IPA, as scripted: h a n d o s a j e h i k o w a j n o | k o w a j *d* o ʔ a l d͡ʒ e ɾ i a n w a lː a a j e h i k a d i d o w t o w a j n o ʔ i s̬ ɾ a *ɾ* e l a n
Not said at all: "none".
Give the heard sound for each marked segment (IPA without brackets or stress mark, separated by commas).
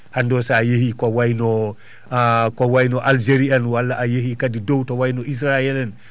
n, none